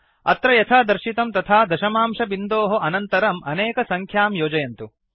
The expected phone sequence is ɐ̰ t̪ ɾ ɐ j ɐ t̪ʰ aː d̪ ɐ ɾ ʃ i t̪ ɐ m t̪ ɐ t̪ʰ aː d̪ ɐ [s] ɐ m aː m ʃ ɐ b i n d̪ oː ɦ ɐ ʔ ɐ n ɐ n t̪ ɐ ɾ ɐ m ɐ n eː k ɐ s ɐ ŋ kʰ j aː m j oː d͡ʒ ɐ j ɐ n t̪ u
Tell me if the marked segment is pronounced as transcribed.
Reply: no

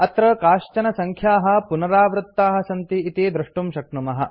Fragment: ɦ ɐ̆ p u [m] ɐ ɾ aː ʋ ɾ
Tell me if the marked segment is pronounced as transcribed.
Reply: no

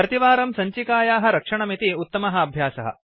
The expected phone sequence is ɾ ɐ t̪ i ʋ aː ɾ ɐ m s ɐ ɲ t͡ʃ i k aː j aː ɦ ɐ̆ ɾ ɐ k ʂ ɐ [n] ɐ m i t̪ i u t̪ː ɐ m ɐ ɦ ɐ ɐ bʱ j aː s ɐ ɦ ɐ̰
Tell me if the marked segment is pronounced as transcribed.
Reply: no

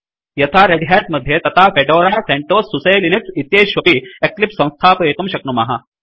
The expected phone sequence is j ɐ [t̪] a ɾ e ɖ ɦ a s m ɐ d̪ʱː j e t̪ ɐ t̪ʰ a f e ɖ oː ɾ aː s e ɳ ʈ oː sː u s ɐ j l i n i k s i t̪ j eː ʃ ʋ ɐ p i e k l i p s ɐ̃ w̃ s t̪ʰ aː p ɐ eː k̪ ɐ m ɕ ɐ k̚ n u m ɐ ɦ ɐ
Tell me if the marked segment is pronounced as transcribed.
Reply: no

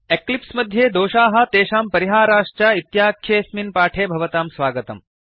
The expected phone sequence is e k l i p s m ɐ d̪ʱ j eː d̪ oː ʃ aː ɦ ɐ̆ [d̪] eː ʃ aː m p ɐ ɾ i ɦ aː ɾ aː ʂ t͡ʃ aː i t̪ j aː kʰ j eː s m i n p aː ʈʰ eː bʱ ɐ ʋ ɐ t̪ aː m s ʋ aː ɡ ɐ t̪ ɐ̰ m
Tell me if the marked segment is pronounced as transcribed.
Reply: no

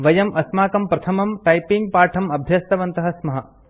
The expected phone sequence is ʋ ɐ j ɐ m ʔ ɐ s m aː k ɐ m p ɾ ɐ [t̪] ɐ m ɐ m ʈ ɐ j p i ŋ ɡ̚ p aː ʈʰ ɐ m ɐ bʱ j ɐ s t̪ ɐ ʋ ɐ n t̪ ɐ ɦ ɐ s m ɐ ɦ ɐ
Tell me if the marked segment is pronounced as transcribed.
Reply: no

